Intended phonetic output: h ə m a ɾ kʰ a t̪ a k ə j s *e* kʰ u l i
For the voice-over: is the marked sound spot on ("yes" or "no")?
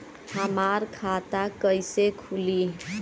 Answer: yes